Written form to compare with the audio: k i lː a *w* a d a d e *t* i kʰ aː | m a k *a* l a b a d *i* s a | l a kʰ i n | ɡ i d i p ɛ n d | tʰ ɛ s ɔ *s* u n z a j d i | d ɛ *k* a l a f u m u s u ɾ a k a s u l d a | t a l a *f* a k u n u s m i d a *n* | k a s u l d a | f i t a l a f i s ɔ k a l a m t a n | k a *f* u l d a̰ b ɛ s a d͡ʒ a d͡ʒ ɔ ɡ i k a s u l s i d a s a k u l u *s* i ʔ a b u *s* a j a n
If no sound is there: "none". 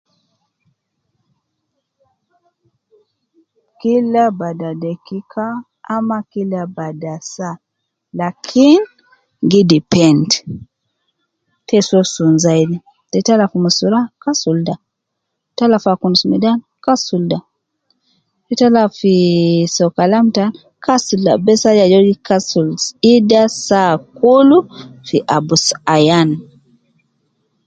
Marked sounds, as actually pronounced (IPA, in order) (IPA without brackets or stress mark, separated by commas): b, k, i, a, s, t, f, n, s, f, s